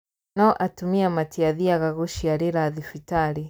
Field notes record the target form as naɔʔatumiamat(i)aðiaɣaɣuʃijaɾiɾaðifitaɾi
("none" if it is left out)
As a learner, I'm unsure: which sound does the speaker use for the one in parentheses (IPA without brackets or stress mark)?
i